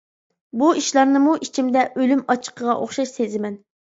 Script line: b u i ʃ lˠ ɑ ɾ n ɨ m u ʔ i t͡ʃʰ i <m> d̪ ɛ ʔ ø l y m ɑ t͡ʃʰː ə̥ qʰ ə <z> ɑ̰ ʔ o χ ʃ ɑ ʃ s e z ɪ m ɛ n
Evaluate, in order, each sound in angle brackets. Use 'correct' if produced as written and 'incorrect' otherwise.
correct, incorrect

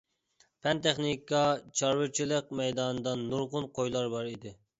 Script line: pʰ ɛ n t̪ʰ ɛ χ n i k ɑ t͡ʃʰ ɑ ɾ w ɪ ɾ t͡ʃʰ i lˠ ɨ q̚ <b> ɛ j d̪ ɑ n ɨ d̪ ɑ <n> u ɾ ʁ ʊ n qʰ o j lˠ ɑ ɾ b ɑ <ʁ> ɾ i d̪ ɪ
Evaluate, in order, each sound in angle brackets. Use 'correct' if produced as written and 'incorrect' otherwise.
incorrect, incorrect, incorrect

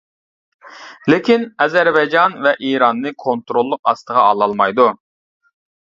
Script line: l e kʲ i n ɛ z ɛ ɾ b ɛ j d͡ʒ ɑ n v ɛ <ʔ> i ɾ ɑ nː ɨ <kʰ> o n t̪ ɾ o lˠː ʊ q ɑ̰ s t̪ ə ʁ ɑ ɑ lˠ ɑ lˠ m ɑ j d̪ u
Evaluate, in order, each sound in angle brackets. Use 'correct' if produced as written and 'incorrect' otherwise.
correct, correct

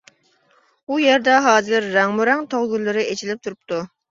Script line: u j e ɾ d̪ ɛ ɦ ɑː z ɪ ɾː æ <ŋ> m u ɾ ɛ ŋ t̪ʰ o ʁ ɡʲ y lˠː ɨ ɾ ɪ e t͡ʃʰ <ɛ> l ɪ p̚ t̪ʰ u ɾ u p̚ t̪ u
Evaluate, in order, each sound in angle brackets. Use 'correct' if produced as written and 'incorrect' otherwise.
correct, incorrect

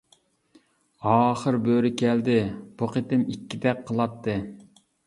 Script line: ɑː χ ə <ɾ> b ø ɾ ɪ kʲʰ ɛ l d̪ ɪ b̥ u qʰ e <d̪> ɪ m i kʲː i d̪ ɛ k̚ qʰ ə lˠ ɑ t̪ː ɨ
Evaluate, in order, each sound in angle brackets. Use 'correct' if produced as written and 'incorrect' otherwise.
correct, incorrect

